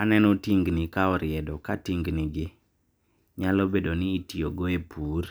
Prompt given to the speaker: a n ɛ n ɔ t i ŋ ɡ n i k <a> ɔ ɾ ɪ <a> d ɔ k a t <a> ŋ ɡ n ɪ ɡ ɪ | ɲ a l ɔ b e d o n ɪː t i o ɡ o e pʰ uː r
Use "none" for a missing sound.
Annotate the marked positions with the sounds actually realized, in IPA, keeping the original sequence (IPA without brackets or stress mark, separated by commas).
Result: a, ɛ, i